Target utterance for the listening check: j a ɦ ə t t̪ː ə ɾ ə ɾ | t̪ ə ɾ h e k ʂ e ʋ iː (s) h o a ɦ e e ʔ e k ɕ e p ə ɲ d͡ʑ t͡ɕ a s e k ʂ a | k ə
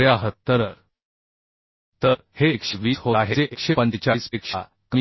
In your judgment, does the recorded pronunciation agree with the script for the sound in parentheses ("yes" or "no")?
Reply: yes